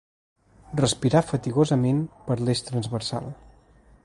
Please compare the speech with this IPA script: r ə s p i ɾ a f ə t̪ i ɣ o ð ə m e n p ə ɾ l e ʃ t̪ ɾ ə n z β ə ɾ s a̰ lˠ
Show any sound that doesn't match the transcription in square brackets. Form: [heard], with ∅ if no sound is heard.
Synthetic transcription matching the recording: r ə s p i ɾ a f ə t̪ i ɣ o [z] ə m e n p ə ɾ l e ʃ t̪ ɾ ə n z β ə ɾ s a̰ lˠ